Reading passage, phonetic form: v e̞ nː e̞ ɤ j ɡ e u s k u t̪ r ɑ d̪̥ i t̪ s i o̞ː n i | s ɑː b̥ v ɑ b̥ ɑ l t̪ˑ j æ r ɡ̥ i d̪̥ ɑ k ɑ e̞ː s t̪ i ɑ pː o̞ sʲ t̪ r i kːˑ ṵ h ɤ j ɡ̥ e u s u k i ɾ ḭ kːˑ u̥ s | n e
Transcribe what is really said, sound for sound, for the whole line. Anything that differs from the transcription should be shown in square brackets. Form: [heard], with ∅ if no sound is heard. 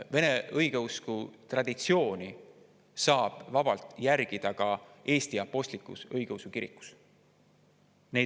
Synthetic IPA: v e̞ [n] e̞ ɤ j ɡ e u s k u t̪ r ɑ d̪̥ i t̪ s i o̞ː n i | s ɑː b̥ v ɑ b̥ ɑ l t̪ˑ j æ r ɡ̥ i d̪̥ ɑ k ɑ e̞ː s t̪ i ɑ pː o̞ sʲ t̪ [l] i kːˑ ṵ [s] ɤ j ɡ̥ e u s u k i ɾ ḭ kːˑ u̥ s | n e